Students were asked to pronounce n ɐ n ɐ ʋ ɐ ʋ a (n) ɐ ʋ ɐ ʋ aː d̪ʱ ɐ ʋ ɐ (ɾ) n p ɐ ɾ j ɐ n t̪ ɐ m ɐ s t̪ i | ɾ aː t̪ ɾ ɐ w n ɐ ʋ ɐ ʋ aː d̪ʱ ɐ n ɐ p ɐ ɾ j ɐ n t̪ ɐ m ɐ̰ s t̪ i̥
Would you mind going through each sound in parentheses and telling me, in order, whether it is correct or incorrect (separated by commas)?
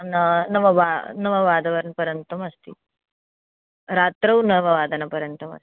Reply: correct, correct